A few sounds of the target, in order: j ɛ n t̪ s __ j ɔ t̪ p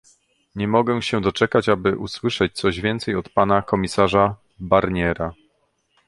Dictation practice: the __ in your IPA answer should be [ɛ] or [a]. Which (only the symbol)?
ɛ